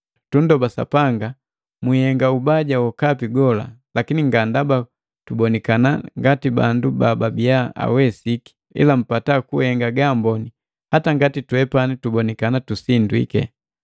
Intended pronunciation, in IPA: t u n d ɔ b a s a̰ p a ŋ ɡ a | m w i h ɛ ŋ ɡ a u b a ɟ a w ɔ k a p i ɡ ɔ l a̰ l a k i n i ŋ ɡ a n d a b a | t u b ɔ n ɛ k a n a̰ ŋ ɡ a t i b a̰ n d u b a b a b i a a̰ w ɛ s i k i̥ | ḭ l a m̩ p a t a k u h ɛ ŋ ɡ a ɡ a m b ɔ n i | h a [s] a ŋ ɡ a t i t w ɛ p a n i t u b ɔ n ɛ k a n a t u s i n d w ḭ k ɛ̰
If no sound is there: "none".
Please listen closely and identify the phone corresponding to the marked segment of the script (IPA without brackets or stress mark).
t